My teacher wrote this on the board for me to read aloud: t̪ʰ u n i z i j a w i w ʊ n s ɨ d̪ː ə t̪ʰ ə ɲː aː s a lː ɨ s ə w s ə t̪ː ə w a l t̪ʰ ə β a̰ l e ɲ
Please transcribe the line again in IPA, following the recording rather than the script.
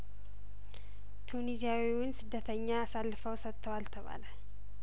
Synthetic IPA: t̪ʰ u n i z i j a w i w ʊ n s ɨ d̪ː ə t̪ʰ ə ɲː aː s a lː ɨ f ə w s ə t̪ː ə w a l t̪ʰ ə β a̰ l a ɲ